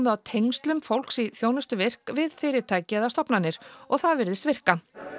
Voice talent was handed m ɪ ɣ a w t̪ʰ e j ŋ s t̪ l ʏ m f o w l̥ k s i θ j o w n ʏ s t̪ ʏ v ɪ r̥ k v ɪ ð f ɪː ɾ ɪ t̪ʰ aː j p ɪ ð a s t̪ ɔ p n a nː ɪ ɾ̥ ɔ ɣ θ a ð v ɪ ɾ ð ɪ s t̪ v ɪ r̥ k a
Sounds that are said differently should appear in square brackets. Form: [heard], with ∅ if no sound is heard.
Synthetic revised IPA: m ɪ [ð] a w t̪ʰ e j ŋ s t̪ l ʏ m f o w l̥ k s i θ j o w n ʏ s t̪ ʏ v ɪ r̥ k v ɪ ð f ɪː ɾ ɪ t̪ʰ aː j [c] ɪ ð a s t̪ ɔ p n a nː ɪ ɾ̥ ɔ ɣ θ a ð v ɪ ɾ ð ɪ s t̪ v ɪ r̥ k a